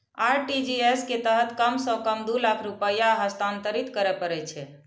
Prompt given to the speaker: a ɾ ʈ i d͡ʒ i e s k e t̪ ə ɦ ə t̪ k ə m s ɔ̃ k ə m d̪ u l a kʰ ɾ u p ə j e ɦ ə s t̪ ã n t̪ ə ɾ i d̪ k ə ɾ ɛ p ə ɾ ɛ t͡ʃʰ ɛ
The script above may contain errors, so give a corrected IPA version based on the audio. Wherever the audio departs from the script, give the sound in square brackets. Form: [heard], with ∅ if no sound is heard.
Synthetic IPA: a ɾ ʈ i d͡ʒ i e s k e t̪ ə ɦ ə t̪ k ə m s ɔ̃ k ə m d̪ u l a kʰ ɾ u p ə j [a] ɦ ə s t̪ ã n t̪ ə ɾ i [t̪] k ə ɾ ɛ p ə ɾ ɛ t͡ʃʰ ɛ